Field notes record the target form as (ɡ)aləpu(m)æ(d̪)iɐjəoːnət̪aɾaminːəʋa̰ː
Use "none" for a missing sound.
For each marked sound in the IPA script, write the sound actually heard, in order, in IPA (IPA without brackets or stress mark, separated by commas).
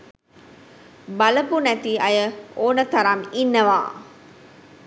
b, n, t̪